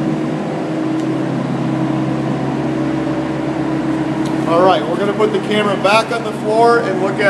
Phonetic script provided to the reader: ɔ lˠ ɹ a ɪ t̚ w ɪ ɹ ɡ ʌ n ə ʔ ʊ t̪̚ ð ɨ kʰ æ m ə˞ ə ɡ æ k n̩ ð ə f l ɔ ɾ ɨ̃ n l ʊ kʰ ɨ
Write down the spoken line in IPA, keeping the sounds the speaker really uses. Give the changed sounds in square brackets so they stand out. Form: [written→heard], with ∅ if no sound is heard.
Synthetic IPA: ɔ lˠ ɹ a ɪ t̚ w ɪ ɹ ɡ ʌ n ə [ʔ→p] ʊ t̪̚ ð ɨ kʰ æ m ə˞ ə [ɡ→b] æ k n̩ ð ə f l ɔ [ɾ→ɹ] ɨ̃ n l ʊ [kʰ→k] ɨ